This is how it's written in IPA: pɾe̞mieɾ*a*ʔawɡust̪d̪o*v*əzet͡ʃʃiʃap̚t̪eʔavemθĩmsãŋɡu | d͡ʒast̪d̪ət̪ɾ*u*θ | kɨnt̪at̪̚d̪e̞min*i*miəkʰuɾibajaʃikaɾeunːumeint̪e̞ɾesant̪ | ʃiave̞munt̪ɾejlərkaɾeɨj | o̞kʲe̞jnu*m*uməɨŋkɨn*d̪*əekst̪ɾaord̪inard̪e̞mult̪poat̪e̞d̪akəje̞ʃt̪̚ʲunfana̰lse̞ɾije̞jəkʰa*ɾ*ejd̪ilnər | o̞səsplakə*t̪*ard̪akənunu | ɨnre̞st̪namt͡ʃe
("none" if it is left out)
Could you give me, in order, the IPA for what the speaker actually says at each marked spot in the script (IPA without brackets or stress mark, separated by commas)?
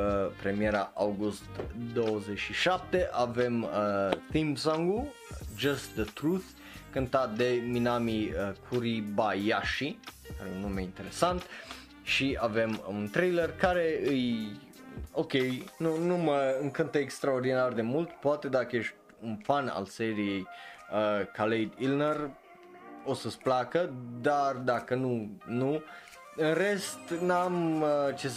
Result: a, w, u, a, n, t̪, l, d̪